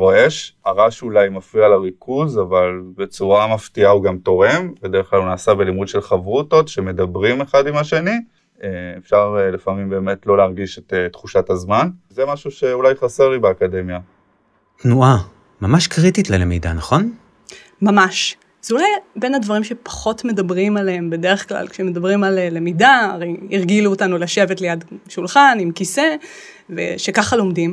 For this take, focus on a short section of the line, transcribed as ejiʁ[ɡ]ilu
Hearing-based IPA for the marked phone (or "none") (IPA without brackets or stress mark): ɡ